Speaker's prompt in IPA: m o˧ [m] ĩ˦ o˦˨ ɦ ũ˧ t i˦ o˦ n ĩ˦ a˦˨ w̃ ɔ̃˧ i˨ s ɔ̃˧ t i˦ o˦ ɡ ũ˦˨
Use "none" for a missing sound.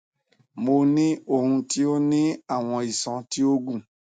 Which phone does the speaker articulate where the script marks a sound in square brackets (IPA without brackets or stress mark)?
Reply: n